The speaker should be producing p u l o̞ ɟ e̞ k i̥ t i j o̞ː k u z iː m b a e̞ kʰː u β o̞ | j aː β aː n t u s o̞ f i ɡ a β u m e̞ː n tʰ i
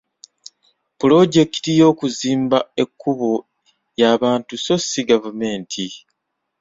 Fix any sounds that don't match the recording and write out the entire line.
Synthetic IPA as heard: p u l o̞ ɟ e̞ k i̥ t i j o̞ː k u z iː m b a e̞ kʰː u β o̞ | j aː β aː n t u s o̞ s i ɡ a v u m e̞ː n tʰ i